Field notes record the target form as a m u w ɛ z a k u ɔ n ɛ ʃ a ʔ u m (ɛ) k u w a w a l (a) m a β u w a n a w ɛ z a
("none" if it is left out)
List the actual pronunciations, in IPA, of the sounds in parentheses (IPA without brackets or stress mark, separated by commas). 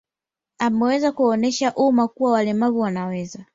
a, ɛ